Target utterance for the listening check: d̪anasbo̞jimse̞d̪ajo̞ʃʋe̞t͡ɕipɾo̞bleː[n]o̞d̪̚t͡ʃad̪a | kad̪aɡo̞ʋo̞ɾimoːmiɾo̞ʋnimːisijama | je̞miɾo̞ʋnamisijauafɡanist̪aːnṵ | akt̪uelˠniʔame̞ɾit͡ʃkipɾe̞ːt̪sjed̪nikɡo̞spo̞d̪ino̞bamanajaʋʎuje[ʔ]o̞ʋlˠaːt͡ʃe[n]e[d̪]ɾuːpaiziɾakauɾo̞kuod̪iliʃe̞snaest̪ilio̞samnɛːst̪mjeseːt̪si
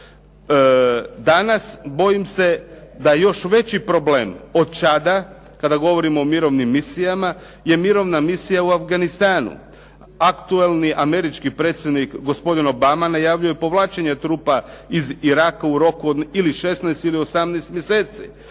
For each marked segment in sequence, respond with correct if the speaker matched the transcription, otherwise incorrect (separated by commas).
incorrect, incorrect, incorrect, incorrect